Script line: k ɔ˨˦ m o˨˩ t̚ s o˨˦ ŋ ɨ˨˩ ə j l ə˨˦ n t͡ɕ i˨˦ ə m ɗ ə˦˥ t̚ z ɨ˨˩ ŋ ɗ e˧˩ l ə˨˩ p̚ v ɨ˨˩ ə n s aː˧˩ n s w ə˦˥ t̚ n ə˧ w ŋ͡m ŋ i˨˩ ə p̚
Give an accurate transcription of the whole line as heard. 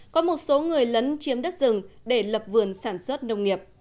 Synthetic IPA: k ɔ˨˦ m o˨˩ t̚ s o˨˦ ŋ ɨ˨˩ ə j l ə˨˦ n t͡ɕ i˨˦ ə m ɗ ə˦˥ t̚ z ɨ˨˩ ŋ ɗ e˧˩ l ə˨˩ p̚ v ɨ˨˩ ə n s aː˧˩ n s w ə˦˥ t̚ n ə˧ w ŋ͡m ŋ i˨˩ ə p̚